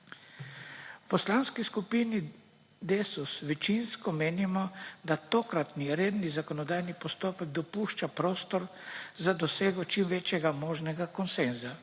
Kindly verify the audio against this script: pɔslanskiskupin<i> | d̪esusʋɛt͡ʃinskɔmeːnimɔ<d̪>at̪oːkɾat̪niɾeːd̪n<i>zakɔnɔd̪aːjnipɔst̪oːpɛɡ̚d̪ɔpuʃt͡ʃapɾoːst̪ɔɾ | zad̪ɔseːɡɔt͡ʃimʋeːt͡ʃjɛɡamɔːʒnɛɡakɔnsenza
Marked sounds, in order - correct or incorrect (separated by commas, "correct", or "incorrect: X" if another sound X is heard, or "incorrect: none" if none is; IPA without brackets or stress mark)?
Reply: correct, correct, correct